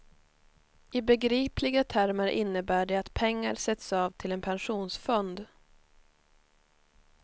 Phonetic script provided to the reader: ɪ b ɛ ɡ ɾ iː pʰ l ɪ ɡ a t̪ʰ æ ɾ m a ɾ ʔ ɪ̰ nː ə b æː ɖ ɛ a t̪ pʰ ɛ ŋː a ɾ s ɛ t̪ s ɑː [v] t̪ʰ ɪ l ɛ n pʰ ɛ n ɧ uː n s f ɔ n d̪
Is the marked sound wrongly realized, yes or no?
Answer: no